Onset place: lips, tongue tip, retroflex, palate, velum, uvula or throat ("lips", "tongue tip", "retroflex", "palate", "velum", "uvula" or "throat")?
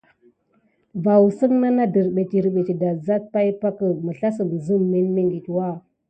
lips